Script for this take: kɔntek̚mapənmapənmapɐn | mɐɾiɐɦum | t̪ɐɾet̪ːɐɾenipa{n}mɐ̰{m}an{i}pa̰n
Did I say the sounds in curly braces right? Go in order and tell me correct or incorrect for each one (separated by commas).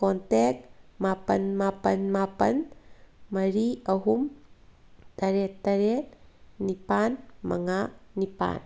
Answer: correct, incorrect, correct